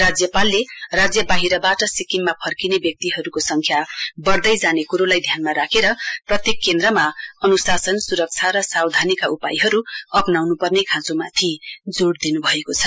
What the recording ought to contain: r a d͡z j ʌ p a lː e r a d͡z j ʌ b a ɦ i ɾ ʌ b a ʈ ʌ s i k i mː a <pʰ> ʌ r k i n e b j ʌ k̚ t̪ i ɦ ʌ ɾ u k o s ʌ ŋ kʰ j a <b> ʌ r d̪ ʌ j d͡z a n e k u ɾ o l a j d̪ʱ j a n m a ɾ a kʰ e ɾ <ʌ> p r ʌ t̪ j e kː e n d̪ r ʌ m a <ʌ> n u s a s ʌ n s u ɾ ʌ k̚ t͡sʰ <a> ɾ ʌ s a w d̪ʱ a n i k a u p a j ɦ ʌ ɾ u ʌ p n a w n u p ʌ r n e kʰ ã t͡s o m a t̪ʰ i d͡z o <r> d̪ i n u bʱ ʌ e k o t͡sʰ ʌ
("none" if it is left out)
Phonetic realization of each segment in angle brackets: pʰ, b, ʌ, ʌ, a, ɽ

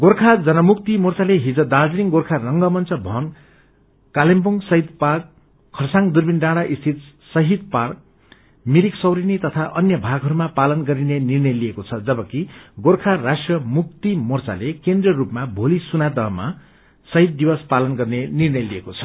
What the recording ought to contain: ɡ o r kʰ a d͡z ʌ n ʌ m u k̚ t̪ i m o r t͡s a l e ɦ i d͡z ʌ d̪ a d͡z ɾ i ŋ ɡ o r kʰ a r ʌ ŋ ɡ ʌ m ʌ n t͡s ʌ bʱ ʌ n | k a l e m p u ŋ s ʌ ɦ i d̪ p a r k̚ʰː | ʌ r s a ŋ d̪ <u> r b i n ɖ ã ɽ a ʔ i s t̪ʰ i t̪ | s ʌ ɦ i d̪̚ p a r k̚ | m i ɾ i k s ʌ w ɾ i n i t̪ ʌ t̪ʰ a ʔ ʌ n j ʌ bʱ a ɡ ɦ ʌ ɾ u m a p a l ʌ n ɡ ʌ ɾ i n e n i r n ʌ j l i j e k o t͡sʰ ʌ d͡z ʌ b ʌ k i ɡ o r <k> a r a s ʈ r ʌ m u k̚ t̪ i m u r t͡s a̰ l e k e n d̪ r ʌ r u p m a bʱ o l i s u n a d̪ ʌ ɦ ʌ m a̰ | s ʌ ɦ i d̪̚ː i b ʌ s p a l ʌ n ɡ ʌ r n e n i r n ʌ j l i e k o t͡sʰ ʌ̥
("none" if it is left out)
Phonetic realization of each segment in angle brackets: u, kʰ

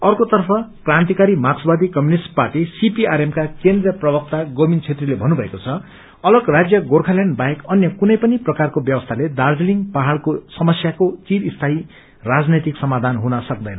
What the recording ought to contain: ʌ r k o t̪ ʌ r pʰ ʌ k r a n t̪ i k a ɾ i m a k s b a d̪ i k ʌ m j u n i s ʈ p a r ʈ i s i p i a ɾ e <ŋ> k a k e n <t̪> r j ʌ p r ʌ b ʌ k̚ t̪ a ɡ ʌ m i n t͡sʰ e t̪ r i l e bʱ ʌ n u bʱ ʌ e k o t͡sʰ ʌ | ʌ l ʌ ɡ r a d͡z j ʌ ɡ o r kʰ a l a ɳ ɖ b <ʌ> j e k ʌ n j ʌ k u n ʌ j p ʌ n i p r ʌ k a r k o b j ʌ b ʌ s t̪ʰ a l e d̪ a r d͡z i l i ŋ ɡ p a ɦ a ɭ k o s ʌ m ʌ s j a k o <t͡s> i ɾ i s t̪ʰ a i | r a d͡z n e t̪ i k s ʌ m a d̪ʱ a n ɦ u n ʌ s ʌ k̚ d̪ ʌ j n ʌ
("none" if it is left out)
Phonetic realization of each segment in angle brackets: m, d̪, a, t͡s

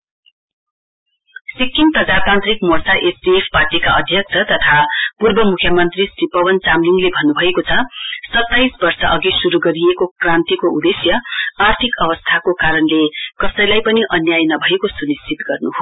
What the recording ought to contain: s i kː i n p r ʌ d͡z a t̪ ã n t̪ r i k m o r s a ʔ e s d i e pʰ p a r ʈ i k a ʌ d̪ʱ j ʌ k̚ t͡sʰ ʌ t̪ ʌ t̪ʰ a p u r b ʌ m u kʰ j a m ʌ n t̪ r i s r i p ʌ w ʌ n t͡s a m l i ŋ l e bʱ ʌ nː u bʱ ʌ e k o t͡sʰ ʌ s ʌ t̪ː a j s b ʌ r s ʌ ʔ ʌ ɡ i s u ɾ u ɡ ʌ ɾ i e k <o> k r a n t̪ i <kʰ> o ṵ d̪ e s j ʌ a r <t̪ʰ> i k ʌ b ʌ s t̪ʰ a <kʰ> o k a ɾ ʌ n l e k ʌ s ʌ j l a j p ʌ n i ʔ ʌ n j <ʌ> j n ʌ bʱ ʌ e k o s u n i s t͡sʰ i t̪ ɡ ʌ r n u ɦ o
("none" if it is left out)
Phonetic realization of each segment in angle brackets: o, k, t̪ʰ, k, a

